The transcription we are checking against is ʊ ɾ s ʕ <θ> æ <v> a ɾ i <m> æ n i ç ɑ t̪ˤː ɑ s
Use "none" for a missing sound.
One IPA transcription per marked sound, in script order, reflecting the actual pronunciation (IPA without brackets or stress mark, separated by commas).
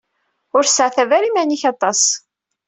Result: θ, v, m